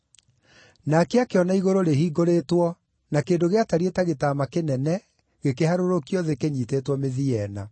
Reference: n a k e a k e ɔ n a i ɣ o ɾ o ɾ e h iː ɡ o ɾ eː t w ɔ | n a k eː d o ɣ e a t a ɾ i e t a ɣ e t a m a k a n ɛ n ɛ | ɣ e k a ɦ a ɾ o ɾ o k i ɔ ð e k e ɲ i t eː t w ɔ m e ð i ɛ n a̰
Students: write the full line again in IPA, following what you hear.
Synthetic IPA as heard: n a k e a k e ɔ n a i ɣ o ɾ o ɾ e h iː ɡ o ɾ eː t w ɔ | n a k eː d o ɣ e a t a ɾ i e t a ɣ e t a m a k e n ɛ n ɛ | ɣ e k e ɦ a ɾ o ɾ o k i ɔ ð e k e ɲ i t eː t w ɔ m e ð i ɛ n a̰